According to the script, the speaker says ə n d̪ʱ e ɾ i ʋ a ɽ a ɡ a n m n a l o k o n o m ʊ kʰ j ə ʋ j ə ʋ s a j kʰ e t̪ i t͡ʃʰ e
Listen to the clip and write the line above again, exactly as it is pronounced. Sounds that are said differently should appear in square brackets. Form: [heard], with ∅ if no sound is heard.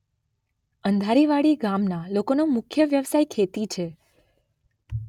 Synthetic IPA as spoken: ə n d̪ʱ [a] ɾ i ʋ a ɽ [i] ɡ a [∅] m n a l o k o n o m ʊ kʰ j ə ʋ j ə ʋ s a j kʰ e t̪ i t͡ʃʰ e

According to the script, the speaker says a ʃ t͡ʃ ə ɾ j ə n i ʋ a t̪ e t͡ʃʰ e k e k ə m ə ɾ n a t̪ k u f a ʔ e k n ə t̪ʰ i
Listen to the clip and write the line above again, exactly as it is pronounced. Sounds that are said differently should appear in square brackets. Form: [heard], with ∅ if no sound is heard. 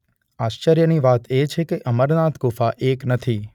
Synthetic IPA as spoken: a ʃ t͡ʃ ə ɾ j ə n i ʋ a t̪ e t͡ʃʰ e k e [ʔ] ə m ə ɾ n a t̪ k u f a ʔ e k n ə t̪ʰ i

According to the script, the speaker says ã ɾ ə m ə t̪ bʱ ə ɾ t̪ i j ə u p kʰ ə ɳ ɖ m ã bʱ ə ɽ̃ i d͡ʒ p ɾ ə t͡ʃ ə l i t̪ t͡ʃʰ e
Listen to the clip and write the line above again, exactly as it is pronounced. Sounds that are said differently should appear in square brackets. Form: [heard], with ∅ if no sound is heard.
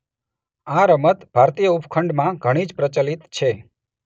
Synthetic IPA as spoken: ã ɾ ə m ə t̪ bʱ [a] ɾ t̪ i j ə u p kʰ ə ɳ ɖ m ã [ɡʱ] ə ɽ̃ i d͡ʒ p ɾ ə t͡ʃ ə l i t̪ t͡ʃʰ e

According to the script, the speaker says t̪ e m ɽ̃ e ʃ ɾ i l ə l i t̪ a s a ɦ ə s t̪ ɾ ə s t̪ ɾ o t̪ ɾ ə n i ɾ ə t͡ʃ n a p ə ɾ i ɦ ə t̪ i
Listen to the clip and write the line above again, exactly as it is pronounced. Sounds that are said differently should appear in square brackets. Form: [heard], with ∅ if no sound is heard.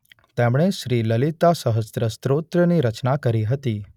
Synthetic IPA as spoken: t̪ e m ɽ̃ e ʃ ɾ i l ə l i t̪ a s [ə] ɦ ə s t̪ ɾ ə s t̪ ɾ o t̪ ɾ ə n i ɾ ə t͡ʃ n a [k] ə ɾ i ɦ ə t̪ i

